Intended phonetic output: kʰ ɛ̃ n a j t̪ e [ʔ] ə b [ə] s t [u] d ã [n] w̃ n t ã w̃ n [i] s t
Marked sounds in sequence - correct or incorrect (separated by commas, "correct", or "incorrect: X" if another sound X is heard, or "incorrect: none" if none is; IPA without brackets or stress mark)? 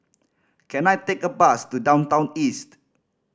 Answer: incorrect: k, incorrect: a, correct, incorrect: none, correct